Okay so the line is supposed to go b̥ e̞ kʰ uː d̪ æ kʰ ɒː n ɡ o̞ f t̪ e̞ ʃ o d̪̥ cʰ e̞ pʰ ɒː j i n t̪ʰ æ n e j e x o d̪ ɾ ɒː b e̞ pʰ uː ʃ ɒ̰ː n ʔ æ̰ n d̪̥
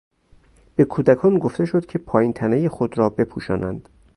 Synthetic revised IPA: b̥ e̞ kʰ uː d̪ æ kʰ ɒː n ɡ o̞ f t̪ e̞ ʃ o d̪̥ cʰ e̞ pʰ ɒː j i n t̪ʰ æ n e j e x o d̪ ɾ ɒː b e̞ pʰ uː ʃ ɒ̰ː n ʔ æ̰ n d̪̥